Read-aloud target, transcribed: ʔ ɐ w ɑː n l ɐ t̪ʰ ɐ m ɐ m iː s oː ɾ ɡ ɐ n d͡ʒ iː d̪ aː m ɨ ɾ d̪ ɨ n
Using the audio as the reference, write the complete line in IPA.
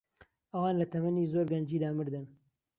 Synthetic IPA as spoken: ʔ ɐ w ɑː n l ɐ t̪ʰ ɐ m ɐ n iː z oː ɾ ɡ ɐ n d͡ʒ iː d̪ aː m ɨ ɾ d̪ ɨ n